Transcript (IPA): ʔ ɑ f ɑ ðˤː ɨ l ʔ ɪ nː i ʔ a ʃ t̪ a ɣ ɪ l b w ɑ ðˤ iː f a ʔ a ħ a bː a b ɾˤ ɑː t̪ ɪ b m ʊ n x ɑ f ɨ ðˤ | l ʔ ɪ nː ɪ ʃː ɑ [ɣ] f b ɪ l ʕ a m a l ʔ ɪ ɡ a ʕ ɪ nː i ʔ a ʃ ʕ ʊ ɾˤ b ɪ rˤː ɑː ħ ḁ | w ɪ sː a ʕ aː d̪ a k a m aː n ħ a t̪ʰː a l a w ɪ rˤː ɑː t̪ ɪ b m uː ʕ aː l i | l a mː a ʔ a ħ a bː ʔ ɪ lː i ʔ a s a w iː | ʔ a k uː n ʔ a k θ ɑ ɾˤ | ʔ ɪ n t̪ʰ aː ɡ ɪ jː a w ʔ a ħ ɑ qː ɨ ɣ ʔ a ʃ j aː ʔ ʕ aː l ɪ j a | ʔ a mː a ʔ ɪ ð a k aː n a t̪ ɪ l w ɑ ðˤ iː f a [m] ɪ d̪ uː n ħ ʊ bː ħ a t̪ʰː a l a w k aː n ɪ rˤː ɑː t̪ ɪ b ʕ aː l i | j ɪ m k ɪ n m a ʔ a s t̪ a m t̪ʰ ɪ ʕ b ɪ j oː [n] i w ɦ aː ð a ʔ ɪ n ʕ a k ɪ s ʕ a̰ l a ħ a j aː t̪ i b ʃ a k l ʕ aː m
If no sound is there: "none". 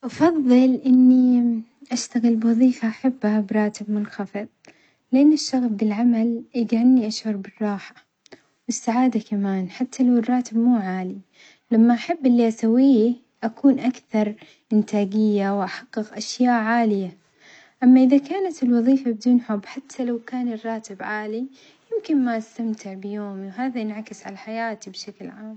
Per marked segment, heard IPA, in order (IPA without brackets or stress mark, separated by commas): ɣ, b, m